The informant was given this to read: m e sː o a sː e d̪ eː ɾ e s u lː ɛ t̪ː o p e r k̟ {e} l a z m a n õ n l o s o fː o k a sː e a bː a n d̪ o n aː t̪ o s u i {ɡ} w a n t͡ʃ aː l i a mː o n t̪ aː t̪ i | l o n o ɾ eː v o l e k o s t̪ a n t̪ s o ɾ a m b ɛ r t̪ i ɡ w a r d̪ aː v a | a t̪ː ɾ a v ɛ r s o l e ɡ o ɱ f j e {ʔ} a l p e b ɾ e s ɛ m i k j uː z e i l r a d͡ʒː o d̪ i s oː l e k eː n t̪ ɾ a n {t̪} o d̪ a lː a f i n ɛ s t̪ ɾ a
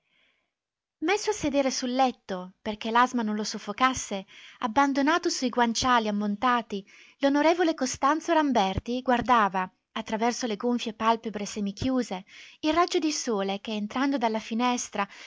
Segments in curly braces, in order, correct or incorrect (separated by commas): correct, correct, incorrect, incorrect